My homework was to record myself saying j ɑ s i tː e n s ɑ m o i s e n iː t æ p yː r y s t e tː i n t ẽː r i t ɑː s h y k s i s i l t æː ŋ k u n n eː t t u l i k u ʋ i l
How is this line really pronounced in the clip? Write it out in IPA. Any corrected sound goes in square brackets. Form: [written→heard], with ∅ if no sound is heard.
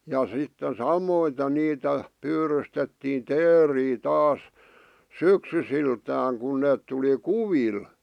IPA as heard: j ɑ s i tː e n s ɑ m o i [s→t] e n iː t æ p yː r y s t e tː [i→iː] n t [ẽː→eː] r [i→iː] t ɑː s [h→s] y k s [i→y] s i l t æː ŋ k u n n eː t t u l i k u ʋ i l